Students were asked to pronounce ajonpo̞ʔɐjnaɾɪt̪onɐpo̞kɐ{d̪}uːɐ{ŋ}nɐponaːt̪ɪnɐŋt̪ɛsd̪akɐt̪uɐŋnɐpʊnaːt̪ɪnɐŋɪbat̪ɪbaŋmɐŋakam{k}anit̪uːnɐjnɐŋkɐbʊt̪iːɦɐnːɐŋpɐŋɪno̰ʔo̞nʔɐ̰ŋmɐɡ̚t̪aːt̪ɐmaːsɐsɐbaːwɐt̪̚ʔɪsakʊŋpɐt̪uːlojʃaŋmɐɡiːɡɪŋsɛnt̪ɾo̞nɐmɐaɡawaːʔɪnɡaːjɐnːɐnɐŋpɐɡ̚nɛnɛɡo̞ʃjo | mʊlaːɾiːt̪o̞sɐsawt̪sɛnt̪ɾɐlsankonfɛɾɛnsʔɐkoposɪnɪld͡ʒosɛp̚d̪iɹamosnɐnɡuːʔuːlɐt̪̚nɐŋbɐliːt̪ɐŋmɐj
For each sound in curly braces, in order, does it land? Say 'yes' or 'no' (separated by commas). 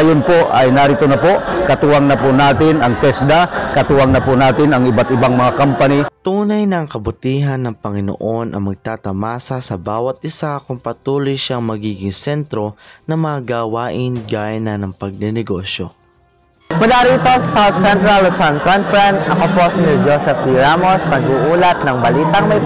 no, yes, no